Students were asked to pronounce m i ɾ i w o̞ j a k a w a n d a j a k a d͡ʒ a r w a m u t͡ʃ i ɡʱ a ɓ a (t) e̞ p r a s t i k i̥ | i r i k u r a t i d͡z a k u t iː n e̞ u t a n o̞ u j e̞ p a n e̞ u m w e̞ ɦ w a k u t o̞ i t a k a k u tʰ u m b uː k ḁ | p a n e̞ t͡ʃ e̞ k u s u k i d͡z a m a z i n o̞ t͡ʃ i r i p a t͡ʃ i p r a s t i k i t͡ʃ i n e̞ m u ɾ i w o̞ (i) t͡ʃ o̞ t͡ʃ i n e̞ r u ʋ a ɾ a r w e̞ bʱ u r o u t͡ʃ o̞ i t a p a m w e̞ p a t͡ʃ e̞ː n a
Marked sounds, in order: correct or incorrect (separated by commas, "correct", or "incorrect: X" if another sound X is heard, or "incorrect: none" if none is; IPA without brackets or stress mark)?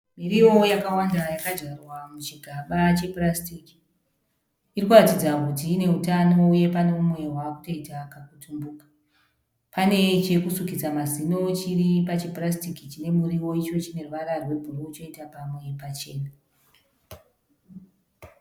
incorrect: t͡ʃ, correct